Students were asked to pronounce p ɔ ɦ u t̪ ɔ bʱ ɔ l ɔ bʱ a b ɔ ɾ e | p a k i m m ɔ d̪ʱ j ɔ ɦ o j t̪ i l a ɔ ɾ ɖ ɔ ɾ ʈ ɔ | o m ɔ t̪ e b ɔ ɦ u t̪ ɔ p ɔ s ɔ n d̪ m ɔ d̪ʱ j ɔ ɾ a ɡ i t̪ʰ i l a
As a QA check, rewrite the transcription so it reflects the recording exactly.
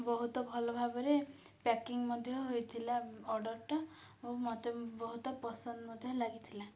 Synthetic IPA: b ɔ ɦ u t̪ ɔ bʱ ɔ l ɔ bʱ a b ɔ ɾ e | p a k i ŋ m ɔ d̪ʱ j ɔ ɦ o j t̪ʰ i l a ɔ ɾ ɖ ɔ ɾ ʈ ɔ | o m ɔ t̪ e b ɔ ɦ u t̪ ɔ p ɔ s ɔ n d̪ m ɔ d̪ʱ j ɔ l a ɡ i t̪ʰ i l a